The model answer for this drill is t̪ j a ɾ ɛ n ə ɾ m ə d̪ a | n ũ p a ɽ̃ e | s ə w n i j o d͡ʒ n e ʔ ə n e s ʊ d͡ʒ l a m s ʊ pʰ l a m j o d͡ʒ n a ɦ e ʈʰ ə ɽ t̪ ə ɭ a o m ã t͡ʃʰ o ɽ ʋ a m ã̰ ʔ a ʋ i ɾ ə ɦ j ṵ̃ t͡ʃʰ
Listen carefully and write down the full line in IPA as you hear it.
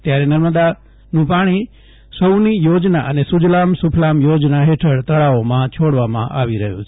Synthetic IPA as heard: t̪ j a ɾ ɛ n ə ɾ m ə d̪ a | n ũ p a ɽ̃ i | s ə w n i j o d͡ʒ n a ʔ ə n e s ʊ d͡ʒ l a m s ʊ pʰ l a m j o d͡ʒ n a ɦ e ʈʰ ə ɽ t̪ ə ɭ a o m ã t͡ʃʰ o ɽ ʋ a m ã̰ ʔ a ʋ i ɾ ə ɦ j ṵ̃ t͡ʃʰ